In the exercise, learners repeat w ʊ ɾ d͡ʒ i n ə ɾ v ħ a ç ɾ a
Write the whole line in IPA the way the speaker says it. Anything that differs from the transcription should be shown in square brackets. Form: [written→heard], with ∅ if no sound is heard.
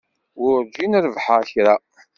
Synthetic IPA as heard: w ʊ ɾ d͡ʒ i n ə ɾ v ħ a ç ɾ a